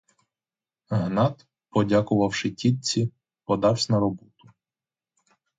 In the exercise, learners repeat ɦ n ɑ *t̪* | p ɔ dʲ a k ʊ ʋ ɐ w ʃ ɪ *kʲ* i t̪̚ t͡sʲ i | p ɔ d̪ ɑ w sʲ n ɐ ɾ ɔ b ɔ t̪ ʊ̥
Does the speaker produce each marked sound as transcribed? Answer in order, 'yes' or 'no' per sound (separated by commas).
yes, no